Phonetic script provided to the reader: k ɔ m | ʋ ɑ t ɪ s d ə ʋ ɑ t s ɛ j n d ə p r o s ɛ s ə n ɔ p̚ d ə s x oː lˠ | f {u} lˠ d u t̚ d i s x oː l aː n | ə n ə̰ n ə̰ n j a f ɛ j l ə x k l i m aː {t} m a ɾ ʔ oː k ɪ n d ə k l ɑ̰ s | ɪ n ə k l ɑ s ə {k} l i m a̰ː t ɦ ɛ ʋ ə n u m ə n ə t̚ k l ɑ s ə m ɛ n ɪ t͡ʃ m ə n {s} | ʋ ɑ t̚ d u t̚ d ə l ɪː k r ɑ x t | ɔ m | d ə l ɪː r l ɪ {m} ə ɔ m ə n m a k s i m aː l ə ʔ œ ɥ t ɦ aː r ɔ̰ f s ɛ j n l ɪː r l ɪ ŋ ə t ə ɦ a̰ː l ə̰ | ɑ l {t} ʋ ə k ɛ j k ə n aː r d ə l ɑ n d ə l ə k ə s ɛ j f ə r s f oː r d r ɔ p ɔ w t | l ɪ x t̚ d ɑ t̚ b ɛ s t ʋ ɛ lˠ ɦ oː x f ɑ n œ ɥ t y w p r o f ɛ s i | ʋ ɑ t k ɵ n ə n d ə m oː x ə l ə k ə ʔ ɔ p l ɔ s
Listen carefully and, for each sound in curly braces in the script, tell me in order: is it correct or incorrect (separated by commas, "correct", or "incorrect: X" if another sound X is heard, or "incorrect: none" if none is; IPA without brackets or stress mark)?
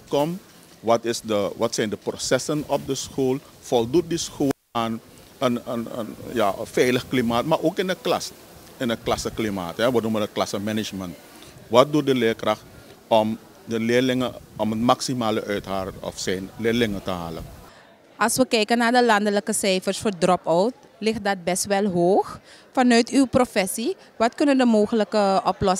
incorrect: ɔ, correct, correct, incorrect: t, incorrect: ŋ, incorrect: s